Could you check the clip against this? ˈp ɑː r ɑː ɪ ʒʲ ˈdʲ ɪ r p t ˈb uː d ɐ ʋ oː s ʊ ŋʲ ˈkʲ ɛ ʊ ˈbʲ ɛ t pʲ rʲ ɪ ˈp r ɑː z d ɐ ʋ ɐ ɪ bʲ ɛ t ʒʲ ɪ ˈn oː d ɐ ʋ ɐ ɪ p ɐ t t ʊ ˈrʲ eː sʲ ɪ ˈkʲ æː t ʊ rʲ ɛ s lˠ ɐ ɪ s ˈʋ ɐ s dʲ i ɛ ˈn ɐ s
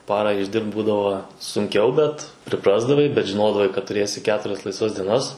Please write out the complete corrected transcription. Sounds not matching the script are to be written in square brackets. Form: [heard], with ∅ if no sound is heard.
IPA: ˈp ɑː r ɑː ɪ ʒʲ ˈdʲ ɪ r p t ˈb uː d ɐ ʋ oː s ʊ ŋʲ ˈkʲ ɛ ʊ ˈbʲ ɛ t pʲ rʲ ɪ ˈp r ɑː z d ɐ ʋ ɐ ɪ bʲ ɛ t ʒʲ ɪ ˈn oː d ɐ ʋ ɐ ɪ [k] ɐ t t ʊ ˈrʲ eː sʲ ɪ ˈkʲ æː t ʊ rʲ ɛ s lˠ ɐ ɪ s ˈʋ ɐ s dʲ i ɛ ˈn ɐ s